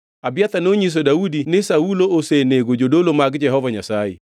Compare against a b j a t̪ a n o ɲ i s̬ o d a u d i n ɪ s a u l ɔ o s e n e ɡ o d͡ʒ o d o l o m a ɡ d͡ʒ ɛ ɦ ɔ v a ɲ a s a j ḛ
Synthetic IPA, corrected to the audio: a b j a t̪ a n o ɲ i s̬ o d a u d i n ɪ s a u l o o s e n e ɡ o d͡ʒ o d o l o m a ɡ d͡ʒ ɛ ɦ ɔ v a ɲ a s a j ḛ